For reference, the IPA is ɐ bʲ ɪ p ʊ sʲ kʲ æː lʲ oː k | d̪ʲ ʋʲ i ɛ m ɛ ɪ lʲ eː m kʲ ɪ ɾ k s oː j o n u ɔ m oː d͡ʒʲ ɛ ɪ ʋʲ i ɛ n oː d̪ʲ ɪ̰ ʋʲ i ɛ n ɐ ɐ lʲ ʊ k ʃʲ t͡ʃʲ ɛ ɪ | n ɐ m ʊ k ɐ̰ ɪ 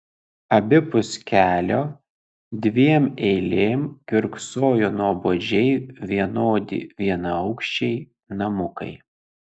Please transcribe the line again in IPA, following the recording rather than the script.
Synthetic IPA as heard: ɐ bʲ ɪ p ʊ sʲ kʲ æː lʲ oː | d̪ʲ ʋʲ i ɛ m ɛ ɪ lʲ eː m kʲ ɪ ɾ k s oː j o n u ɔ b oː d͡ʒʲ ɛ ɪ ʋʲ i ɛ n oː d̪ʲ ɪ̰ ʋʲ i ɛ n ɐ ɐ ʊ k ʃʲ t͡ʃʲ ɛ ɪ | n ɐ m ʊ k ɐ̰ ɪ

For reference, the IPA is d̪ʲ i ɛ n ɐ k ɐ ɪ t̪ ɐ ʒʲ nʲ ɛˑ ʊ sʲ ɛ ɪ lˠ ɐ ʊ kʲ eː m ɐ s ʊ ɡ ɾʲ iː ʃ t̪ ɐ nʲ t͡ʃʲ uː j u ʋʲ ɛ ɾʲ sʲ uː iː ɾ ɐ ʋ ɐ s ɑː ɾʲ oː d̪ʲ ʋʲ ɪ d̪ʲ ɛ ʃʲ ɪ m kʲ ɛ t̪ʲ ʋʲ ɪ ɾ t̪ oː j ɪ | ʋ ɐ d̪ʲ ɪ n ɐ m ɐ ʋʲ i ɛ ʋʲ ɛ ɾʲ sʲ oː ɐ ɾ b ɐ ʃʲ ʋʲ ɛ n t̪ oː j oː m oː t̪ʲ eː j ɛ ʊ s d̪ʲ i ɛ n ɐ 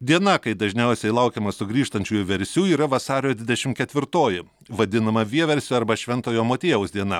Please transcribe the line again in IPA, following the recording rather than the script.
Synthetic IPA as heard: d̪ʲ i ɛ n ɐ k ɐ ɪ d̪ ɐ ʒʲ nʲ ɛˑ ʊ sʲ ɛ ɪ lˠ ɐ ʊ kʲ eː m ɐ s ʊ ɡ ɾʲ iː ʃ t̪ ɐ nʲ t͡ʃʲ uː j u ʋʲ ɛ ɾʲ sʲ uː iː ɾ ɐ ʋ ɐ s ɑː ɾʲ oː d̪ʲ ʋʲ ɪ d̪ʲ ɛ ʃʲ ɪ m kʲ ɛ t̪ʲ ʋʲ ɪ ɾ t̪ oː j ɪ | ʋ ɐ d̪ʲ ɪ n ɐ m ɐ ʋʲ i ɛ ʋʲ ɛ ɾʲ sʲ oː ɐ ɾ b ɐ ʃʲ ʋʲ ɛ n t̪ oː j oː m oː t̪ʲ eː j ɛ ʊ s d̪ʲ i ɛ n ɐ

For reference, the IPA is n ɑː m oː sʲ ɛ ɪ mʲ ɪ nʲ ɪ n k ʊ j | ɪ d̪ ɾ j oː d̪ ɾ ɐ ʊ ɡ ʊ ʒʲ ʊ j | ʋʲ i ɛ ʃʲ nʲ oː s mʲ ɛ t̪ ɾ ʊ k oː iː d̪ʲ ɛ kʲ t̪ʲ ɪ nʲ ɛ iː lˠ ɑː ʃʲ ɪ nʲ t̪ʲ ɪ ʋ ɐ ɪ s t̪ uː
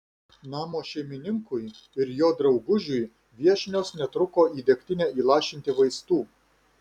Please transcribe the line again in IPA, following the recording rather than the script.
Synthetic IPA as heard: n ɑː m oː ʃʲ ɛ ɪ mʲ ɪ nʲ ɪ ŋ k ʊ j | ɪ ɾ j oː d̪ ɾ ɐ ʊ ɡ ʊ ʒʲ ʊ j | ʋʲ i ɛ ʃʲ nʲ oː s nʲ ɛ t̪ ɾ ʊ k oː iː d̪ʲ ɛ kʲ t̪ʲ ɪ nʲ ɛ iː lˠ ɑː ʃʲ ɪ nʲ t̪ʲ ɪ ʋ ɐ ɪ s t̪ uː

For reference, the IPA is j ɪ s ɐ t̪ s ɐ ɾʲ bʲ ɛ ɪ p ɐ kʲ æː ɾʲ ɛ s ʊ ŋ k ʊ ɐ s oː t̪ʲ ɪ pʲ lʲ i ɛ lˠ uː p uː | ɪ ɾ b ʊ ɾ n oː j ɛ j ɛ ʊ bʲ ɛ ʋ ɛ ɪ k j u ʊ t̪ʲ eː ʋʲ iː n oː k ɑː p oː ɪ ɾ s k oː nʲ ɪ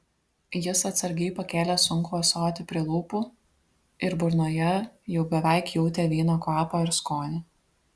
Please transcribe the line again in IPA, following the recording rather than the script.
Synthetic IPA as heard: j ɪ s ɐ t̪ s ɐ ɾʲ ɡʲ ɛ ɪ p ɐ kʲ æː lʲ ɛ s ʊ ŋ k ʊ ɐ s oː t̪ʲ ɪ pʲ ɾʲ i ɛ lˠ uː p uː | ɪ ɾ b ʊ ɾ n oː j ɛ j ɛ ʊ bʲ ɛ ʋ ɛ ɪ k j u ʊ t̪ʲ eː ʋʲ iː n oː k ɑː p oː ɪ ɾ s k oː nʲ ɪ

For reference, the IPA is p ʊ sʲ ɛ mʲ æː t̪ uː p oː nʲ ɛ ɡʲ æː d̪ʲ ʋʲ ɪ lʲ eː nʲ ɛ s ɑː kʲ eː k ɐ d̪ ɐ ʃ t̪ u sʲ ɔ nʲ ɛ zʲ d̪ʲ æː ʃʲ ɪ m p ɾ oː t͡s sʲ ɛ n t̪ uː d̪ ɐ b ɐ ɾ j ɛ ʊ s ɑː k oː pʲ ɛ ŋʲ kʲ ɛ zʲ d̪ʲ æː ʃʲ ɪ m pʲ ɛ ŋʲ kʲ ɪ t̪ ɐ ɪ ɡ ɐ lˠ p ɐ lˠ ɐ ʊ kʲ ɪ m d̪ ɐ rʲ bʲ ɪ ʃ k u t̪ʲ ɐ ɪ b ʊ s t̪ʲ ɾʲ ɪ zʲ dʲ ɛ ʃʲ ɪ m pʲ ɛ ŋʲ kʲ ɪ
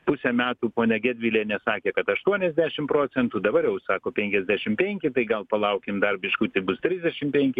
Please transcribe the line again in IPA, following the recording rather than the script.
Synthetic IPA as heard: p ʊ sʲ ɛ mʲ æː t̪ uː p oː nʲ ɛ ɡʲ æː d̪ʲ ʋʲ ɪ lʲ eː nʲ ɛ s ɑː kʲ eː k ɐ t̪ ɐ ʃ t̪ u ɔ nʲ ɛ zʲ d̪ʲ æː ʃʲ ɪ m p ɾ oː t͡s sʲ ɛ n t̪ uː d̪ ɐ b ɐ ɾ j ɛ ʊ s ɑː k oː pʲ ɛ ŋʲ kʲ ɛ zʲ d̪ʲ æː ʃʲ ɪ m pʲ ɛ ŋʲ kʲ ɪ t̪ ɐ ɪ ɡ ɐ lˠ p ɐ lˠ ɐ ʊ kʲ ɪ m d̪ ɐ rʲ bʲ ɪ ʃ k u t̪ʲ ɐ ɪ b ʊ s t̪ʲ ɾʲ ɪ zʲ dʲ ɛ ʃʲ ɪ m pʲ ɛ ŋʲ kʲ ɪ

